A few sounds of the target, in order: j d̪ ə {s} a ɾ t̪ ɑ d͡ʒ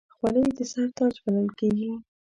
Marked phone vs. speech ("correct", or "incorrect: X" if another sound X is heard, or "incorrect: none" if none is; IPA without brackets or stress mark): correct